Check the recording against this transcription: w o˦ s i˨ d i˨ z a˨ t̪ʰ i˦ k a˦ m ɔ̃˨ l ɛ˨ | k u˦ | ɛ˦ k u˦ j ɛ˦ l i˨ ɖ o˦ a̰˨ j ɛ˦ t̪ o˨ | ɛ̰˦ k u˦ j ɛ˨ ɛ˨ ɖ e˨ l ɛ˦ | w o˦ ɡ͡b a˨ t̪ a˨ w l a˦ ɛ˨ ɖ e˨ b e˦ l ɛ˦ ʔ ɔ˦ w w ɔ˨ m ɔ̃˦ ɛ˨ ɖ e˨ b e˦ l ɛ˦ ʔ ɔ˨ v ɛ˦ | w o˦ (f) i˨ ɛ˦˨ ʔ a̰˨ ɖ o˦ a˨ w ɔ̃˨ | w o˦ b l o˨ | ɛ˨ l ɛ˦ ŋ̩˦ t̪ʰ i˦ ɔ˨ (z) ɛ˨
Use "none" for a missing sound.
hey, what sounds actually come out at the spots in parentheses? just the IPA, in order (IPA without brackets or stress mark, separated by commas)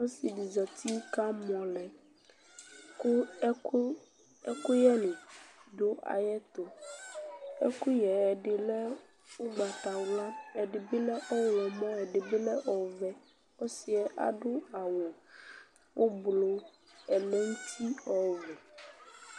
s, v